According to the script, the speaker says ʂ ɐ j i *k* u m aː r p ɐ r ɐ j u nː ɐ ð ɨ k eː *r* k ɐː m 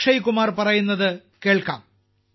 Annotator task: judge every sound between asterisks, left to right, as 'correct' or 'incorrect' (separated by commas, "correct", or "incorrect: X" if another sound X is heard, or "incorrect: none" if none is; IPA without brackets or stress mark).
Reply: correct, incorrect: ɭ